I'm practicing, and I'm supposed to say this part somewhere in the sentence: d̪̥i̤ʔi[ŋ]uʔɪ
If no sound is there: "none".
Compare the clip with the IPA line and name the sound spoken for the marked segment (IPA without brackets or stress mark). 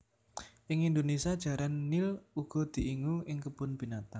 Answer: ŋ